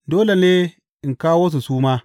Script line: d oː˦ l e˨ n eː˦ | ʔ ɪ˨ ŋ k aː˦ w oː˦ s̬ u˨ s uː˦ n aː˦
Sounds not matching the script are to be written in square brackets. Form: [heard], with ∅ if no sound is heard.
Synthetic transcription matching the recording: d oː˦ l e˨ n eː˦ | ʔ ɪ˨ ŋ k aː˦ w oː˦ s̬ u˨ s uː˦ [m] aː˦